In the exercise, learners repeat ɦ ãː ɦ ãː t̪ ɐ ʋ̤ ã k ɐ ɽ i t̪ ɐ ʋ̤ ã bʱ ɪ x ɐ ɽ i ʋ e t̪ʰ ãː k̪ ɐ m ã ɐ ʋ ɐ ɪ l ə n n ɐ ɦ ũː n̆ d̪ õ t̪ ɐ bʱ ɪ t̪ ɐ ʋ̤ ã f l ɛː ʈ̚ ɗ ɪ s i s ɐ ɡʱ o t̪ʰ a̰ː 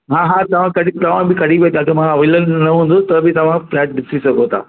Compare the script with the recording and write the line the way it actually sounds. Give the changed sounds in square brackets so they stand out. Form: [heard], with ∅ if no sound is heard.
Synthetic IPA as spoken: ɦ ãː ɦ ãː t̪ ɐ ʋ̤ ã k ɐ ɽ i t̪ ɐ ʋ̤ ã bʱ ɪ [k] ɐ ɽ i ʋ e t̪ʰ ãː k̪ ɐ m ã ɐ ʋ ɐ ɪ l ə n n ɐ ɦ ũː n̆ d̪ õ t̪ ɐ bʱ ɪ t̪ ɐ ʋ̤ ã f l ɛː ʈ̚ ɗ ɪ s i s ɐ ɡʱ o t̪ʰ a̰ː